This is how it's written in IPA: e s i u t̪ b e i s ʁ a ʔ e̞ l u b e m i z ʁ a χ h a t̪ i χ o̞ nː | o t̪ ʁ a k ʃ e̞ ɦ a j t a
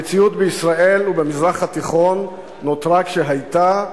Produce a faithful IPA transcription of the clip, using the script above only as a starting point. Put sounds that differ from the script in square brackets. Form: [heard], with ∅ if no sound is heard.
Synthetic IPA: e [t͡s] i u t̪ b e i s ʁ a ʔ e̞ l u b e m i z ʁ a χ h a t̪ i χ o̞ nː | o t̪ ʁ a k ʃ e̞ ɦ a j t a